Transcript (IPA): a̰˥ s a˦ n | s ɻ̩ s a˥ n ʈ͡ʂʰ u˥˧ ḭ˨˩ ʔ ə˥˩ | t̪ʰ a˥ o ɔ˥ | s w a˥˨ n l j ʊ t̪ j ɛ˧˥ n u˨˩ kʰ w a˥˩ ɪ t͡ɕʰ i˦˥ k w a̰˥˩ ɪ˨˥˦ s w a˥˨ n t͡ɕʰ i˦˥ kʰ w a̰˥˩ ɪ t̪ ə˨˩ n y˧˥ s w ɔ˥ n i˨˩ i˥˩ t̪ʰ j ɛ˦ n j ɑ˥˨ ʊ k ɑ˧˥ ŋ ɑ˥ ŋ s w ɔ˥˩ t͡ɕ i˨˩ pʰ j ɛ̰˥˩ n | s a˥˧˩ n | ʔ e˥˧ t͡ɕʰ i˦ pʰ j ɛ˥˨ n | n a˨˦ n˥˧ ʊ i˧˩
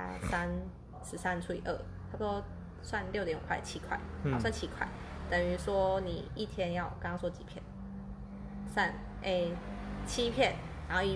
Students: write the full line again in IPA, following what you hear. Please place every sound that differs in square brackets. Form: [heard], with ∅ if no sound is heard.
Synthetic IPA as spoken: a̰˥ s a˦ n | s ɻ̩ s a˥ n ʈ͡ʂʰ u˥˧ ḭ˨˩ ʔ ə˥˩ | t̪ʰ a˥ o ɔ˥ | s w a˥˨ n l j ʊ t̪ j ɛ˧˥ n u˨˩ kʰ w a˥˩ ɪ t͡ɕʰ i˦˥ [kʰ] w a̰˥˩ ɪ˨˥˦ s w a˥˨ n t͡ɕʰ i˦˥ kʰ w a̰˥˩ ɪ t̪ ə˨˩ [ŋ] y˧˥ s w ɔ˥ n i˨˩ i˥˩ t̪ʰ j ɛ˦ n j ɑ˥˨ ʊ k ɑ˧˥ ŋ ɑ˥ ŋ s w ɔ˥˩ t͡ɕ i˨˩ pʰ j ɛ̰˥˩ n | s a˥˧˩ n | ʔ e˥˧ t͡ɕʰ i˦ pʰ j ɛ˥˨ n | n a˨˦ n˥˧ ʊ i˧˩